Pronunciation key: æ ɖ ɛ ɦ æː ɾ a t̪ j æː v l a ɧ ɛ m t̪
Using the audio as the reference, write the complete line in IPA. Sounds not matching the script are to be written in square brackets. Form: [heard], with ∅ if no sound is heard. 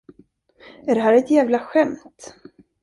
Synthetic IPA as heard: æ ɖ ɛ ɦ æː ɾ [ɛ] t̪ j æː v l a ɧ ɛ m t̪